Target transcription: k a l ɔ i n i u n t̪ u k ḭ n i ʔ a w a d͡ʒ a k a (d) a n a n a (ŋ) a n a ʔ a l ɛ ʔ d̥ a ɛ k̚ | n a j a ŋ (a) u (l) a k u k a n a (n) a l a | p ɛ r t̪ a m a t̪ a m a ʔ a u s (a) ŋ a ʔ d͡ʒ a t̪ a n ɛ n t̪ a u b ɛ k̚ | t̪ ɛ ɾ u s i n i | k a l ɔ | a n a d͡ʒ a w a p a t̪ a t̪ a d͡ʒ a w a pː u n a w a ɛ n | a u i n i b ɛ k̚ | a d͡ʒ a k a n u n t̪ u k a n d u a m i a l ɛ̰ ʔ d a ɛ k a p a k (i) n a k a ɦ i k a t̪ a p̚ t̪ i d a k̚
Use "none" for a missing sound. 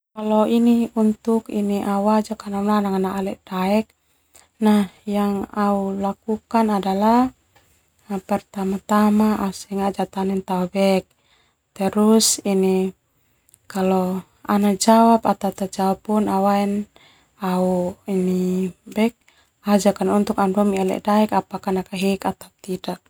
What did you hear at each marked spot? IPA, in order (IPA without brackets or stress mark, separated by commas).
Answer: n, ŋ, a, l, d, ɛ, a